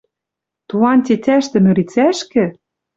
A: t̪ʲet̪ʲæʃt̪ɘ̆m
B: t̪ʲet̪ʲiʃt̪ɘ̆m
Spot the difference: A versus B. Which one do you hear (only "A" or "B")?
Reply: A